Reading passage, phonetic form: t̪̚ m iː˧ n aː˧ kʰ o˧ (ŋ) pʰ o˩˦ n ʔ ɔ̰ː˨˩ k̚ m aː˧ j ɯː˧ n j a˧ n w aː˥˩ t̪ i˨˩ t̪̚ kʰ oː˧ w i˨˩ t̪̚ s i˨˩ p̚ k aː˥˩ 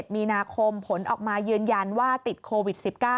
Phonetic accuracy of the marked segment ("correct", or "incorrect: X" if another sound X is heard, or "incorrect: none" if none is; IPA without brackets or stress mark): incorrect: m